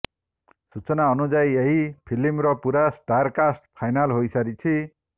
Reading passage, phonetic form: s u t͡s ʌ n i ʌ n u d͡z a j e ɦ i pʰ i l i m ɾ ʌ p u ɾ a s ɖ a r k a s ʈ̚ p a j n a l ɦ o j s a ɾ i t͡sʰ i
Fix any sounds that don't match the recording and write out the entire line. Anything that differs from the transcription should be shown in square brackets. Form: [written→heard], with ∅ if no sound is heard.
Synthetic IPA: s u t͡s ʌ n [i→a] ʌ n u d͡z a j e ɦ i pʰ i l i m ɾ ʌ p u ɾ a s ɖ a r k a s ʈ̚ [p→pʰ] a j n a l ɦ o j s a ɾ i t͡sʰ i